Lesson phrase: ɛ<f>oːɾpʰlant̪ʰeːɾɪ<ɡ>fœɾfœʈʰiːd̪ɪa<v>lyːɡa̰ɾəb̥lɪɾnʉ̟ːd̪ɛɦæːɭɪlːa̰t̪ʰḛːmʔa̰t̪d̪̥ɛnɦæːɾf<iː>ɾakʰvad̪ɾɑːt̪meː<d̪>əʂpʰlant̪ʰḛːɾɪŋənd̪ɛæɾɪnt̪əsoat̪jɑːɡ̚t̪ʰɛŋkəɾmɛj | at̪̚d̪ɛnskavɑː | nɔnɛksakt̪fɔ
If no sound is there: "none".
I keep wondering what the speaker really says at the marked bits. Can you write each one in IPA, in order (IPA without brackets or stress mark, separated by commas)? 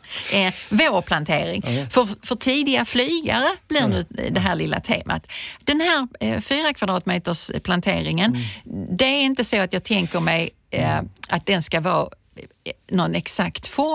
v, ŋ, f, yː, t̪